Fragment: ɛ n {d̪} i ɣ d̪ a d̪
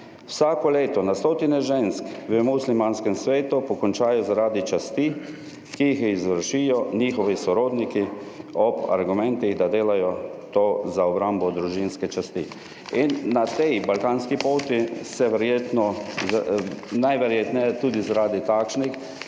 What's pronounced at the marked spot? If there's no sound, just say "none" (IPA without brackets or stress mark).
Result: t̪